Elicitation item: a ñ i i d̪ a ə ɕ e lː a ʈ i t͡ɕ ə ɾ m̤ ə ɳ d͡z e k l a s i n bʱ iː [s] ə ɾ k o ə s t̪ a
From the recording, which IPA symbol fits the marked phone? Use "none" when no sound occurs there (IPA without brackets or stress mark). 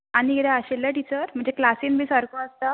s